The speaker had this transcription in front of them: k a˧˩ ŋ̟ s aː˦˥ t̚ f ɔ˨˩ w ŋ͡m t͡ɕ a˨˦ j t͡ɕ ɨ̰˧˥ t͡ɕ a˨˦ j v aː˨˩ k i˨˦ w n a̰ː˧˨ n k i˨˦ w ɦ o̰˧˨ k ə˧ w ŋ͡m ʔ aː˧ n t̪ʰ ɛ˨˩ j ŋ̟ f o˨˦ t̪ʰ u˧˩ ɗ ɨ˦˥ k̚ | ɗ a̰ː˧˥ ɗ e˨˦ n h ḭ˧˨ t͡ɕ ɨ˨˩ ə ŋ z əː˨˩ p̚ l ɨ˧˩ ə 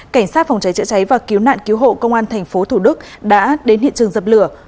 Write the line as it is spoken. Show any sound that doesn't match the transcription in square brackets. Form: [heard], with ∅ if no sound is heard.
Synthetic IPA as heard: k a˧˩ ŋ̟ s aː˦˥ t̚ f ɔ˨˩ w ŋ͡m t͡ɕ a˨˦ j t͡ɕ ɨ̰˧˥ t͡ɕ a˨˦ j v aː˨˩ k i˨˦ w n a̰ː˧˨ n k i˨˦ w ɦ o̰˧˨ k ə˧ w ŋ͡m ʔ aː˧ n t̪ʰ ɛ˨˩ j ŋ̟ f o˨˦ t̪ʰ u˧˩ ɗ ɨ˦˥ k̚ | ɗ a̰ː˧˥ ɗ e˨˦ n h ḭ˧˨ t͡ɕ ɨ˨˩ ə ŋ z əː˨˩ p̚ l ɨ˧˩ ə

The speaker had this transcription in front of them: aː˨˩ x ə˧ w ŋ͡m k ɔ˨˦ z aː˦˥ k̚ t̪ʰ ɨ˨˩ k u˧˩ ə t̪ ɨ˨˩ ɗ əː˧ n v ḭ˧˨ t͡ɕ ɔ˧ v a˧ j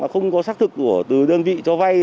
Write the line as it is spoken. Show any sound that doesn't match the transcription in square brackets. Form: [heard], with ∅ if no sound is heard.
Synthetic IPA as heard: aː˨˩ x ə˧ w ŋ͡m k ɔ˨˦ [s] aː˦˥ k̚ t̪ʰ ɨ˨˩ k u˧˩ ə t̪ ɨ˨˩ ɗ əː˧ n v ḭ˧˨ t͡ɕ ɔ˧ v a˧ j

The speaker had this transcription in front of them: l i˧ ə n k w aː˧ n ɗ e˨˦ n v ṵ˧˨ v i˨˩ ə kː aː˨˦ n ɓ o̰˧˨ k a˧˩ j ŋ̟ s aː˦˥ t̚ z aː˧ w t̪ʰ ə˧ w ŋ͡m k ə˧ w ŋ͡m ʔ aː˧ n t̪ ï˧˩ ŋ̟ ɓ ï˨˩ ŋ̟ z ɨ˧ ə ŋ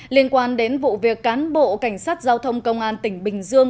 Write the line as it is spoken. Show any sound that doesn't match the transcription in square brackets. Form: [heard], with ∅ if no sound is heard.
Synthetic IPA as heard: l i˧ ə n k w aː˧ n ɗ e˨˦ n v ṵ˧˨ v i˨˩ ə kː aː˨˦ n ɓ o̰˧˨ k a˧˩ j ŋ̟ s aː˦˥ t̚ z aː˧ w t̪ʰ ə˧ w ŋ͡m k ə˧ w ŋ͡m ʔ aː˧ n t̪ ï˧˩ ŋ̟ ɓ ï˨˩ ŋ̟ z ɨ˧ ə ŋ

